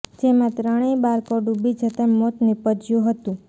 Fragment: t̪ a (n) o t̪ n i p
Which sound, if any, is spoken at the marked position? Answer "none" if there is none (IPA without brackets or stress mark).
m